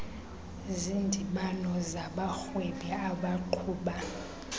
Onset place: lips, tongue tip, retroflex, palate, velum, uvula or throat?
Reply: tongue tip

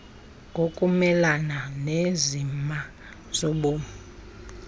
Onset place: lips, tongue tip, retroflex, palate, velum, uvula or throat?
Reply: velum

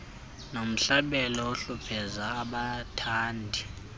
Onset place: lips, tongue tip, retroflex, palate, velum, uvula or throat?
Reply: tongue tip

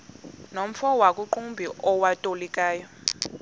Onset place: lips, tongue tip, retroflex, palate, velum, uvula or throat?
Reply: tongue tip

